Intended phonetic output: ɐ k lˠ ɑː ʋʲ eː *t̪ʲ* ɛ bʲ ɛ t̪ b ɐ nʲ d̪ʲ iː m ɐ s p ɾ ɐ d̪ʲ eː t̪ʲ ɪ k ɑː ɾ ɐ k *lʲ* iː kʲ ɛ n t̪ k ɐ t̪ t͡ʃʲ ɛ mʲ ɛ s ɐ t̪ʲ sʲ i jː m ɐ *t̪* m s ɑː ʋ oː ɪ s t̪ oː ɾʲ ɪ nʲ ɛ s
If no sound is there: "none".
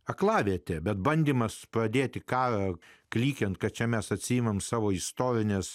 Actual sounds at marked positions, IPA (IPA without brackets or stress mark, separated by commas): t̪ʲ, lʲ, none